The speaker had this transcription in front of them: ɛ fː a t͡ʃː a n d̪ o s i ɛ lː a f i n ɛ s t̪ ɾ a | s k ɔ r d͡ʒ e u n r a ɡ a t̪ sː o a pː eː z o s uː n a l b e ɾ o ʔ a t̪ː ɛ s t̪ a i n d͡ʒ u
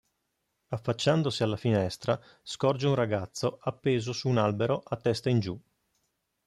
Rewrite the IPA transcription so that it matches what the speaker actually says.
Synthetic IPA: a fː a t͡ʃː a n d̪ o s i a lː a f i n ɛ s t̪ ɾ a | s k ɔ r d͡ʒ e u n r a ɡ a t̪ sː o a pː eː z o s uː n a l b e ɾ o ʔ a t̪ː ɛ s t̪ a i n d͡ʒ u

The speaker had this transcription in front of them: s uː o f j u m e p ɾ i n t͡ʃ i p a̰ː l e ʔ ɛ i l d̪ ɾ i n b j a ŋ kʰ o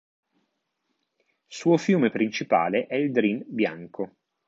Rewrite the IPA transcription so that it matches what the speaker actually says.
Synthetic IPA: s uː o f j uː m e p ɾ i n t͡ʃ i p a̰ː l e ʔ ɛ i l d̪ ɾ i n b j a ŋ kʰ o

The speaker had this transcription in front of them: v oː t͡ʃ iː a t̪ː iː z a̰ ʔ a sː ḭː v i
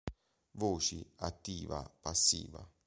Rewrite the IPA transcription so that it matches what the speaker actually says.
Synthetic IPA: v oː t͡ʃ i a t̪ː iː v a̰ p a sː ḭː v a

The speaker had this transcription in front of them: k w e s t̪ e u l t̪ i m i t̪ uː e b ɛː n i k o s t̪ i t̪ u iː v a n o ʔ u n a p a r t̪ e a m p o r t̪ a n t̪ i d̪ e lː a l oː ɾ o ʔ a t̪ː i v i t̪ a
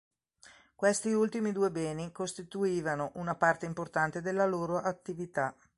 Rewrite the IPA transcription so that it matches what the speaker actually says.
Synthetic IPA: k w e s t̪ i u l t̪ i m i d̪ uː e b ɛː n i k o s t̪ i t̪ u iː v a n o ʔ u n a p a r t̪ e i m p o r t̪ a n t̪ e d̪ e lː a l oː ɾ o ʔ a t̪ː i v i t̪ a

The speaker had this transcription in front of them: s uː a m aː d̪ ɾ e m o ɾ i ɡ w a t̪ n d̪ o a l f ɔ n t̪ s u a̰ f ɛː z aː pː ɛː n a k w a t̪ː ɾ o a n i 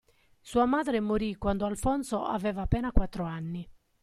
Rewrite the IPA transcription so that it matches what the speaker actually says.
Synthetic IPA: s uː a m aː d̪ ɾ e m o ɾ i k w a n d̪ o a l f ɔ n t̪ s o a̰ v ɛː v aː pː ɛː n a k w a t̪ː ɾ o a nː i

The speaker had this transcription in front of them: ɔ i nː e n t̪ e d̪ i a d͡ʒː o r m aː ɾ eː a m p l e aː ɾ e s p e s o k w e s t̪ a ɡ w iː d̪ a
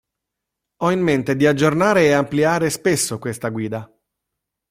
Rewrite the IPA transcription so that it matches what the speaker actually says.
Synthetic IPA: ɔ i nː e n t̪ e d̪ i a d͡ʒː o r n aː ɾ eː a m p l i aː ɾ e s p e sː o k w e s t̪ a ɡ w iː d̪ a

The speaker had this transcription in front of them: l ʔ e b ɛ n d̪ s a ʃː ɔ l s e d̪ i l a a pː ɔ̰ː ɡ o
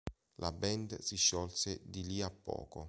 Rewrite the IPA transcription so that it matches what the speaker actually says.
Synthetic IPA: l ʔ a b ɛ n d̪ s i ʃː ɔ l s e d̪ i l i a pː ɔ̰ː k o

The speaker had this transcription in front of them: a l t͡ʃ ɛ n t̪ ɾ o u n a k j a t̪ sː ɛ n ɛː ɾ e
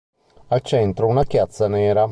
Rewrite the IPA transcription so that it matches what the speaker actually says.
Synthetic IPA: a l t͡ʃ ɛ n t̪ ɾ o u n a k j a t̪ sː a n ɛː ɾ a

